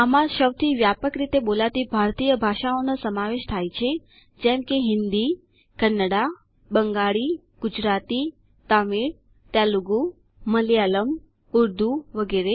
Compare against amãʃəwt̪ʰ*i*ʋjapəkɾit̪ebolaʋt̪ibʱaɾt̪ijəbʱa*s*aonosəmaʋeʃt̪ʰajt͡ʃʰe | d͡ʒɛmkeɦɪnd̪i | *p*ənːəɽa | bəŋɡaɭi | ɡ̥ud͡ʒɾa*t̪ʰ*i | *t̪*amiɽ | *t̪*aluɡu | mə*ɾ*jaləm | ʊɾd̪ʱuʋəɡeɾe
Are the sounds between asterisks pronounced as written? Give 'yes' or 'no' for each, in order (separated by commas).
yes, no, no, no, yes, yes, no